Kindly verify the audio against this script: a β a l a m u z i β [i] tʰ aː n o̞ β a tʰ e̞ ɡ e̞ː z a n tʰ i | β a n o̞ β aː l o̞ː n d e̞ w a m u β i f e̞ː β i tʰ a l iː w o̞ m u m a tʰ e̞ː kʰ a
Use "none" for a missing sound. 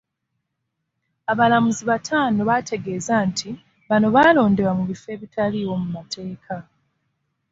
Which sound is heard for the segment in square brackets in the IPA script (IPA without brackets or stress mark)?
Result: a